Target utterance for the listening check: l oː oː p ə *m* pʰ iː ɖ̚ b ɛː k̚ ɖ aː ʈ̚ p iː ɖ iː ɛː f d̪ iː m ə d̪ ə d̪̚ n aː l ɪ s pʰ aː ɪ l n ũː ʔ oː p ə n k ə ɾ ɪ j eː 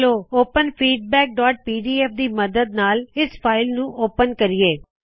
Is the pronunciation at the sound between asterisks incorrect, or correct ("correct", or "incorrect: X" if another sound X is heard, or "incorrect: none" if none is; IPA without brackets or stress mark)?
incorrect: n